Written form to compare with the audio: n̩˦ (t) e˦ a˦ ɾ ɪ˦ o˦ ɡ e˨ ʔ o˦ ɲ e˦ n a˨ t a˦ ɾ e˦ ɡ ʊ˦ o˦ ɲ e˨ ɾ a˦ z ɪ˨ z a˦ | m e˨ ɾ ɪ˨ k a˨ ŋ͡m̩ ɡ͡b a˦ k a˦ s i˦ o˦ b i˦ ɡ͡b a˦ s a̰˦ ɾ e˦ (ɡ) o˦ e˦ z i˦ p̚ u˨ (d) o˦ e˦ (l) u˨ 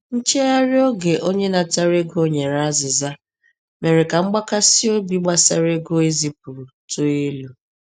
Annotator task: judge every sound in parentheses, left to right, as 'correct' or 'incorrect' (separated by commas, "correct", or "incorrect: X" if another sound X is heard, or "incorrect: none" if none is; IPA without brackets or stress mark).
incorrect: t͡ʃ, correct, incorrect: t, correct